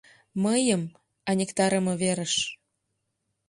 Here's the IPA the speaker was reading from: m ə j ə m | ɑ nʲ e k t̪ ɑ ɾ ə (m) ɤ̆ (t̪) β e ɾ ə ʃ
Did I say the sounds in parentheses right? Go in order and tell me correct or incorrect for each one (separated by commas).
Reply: correct, incorrect